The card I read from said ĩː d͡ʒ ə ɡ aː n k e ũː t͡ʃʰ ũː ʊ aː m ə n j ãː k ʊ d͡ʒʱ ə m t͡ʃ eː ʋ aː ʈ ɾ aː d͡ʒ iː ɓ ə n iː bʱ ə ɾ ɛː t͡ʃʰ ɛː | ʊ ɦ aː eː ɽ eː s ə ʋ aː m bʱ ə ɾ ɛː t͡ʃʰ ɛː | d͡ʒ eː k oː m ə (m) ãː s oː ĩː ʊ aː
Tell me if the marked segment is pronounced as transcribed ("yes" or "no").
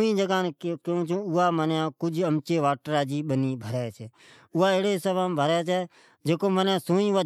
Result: no